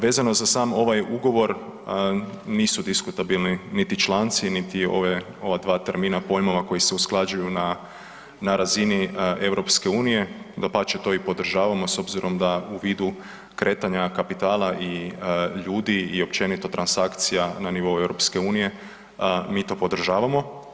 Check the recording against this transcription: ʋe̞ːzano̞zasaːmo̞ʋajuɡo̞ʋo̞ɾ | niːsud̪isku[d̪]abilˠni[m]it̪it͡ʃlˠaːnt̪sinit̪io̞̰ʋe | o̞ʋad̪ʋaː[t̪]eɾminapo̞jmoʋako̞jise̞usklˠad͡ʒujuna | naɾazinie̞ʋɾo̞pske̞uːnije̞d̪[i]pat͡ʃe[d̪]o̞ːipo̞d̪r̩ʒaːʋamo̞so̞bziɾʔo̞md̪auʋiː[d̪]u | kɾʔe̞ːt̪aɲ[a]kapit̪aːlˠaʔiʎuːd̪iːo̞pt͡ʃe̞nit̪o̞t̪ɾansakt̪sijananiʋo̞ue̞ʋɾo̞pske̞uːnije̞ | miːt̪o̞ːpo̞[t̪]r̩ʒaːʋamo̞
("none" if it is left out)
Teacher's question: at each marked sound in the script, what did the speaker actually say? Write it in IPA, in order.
t̪, n, t̪, a, t̪, d̪, a, d̪

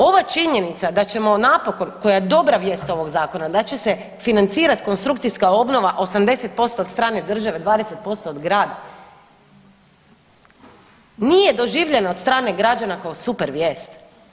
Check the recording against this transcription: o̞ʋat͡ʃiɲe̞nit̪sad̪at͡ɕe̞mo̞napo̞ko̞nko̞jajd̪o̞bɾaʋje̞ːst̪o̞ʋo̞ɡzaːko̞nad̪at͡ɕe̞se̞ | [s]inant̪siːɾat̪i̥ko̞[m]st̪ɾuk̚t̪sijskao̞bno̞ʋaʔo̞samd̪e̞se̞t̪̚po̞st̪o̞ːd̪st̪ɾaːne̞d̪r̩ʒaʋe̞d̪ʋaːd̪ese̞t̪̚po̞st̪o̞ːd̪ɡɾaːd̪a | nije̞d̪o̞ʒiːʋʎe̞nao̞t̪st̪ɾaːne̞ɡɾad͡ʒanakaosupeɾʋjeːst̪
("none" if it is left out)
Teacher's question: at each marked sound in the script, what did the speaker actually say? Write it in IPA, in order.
f, n

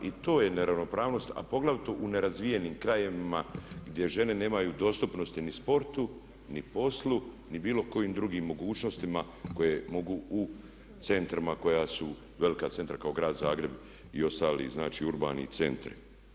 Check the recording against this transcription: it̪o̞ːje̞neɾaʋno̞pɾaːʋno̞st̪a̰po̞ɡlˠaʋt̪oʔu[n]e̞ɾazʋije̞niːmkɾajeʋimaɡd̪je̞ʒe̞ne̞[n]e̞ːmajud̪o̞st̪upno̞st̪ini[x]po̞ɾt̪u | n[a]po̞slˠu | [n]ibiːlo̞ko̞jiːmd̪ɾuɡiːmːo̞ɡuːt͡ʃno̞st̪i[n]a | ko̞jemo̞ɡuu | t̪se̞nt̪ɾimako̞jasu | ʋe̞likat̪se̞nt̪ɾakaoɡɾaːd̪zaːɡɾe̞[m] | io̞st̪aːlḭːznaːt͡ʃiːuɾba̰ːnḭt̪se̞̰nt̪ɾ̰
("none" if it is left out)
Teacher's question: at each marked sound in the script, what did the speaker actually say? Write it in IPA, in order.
n, n, s, i, n, m, b

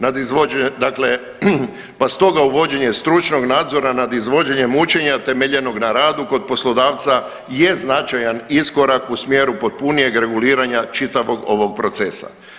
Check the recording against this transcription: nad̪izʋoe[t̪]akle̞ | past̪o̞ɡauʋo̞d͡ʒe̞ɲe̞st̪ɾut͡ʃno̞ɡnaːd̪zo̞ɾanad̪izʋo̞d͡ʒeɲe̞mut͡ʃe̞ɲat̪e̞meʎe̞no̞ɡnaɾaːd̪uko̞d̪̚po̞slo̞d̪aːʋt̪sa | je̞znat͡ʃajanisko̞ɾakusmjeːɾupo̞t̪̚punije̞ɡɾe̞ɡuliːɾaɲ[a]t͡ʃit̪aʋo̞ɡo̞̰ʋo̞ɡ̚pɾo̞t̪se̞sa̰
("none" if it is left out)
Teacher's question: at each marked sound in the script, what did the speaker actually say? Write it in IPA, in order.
d̪, a

